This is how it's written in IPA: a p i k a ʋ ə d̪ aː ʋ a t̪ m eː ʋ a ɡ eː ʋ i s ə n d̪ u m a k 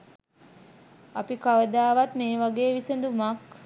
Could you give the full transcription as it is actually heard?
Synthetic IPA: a p i k a ʋ ə d̪ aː ʋ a t̪ m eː ʋ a ɡ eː ʋ i s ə n d̪ u m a k